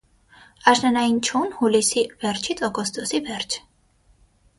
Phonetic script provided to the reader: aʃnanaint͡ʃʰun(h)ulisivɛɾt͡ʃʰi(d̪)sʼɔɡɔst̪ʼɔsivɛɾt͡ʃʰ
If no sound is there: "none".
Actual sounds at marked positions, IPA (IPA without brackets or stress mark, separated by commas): h, t̪